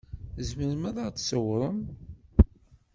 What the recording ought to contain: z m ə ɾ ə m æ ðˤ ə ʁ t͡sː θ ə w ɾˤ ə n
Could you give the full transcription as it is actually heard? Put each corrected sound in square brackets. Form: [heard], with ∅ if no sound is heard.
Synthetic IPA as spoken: z m ə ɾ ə m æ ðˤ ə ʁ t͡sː [s] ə w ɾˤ ə [m]

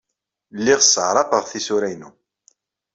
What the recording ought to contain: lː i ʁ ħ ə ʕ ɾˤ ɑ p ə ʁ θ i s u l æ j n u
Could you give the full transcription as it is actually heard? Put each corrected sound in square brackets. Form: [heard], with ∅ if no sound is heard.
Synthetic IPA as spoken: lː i ʁ [s] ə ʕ ɾˤ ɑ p ə ʁ θ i s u [ɾ] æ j n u

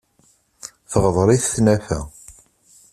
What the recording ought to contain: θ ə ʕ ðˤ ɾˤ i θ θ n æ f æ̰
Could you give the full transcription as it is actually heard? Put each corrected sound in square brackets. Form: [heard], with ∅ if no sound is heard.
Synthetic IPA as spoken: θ ə [ʁ] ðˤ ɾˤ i θ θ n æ f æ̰

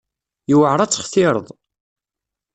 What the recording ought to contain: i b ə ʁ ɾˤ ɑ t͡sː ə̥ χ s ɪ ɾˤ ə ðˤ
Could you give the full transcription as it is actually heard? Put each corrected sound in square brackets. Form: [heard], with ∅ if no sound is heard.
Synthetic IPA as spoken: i [w] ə [ʕ] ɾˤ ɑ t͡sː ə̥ χ [θ] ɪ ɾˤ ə ðˤ

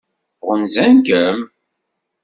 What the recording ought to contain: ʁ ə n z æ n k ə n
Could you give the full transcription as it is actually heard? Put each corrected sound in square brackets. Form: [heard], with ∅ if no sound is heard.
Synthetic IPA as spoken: ʁ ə n z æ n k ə [m]

